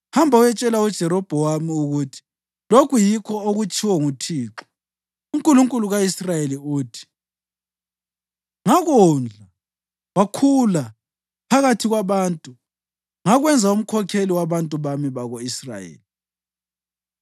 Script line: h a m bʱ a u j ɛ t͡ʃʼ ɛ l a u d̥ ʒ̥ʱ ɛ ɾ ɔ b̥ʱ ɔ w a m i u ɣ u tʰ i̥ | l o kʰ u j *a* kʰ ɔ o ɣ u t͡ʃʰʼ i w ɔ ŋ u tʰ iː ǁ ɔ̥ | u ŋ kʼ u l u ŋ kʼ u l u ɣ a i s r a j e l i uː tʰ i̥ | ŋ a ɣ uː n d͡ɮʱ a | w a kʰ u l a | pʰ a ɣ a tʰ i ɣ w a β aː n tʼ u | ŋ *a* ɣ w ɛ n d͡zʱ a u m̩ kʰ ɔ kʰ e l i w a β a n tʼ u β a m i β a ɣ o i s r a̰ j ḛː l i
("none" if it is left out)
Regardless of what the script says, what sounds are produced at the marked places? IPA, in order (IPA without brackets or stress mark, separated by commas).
i, a